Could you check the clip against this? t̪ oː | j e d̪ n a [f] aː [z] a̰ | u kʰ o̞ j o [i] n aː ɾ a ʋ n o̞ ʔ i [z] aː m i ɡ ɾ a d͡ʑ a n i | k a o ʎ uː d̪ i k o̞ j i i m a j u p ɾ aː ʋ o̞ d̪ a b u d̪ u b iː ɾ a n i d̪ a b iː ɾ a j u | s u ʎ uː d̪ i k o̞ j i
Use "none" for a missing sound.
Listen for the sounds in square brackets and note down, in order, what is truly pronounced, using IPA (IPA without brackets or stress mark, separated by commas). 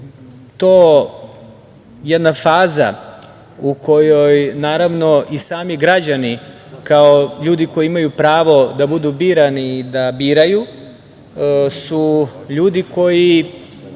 f, z, j, s